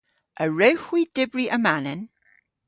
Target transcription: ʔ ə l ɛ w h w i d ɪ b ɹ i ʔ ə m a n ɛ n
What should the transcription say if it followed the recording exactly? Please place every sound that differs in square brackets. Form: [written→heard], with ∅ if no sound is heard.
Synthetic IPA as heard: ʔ ə [l→ɹ] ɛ w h w i d ɪ b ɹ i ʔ ə m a n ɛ n